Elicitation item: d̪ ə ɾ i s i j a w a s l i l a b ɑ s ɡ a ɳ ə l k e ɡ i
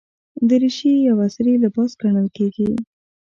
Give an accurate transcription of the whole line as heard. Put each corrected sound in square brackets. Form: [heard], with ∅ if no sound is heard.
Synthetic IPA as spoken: d̪ ə ɾ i [ʃ] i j a w a s [ɾ] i l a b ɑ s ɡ a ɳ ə l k e ɡ i